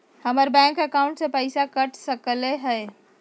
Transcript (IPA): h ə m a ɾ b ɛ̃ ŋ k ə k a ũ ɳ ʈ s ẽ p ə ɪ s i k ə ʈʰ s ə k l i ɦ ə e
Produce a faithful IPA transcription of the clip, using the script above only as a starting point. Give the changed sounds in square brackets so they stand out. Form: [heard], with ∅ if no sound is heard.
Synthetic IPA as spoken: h ə m [ə] ɾ b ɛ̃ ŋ k ə k a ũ ɳ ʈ s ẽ p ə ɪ s [a] k ə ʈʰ s ə k l [e] ɦ ə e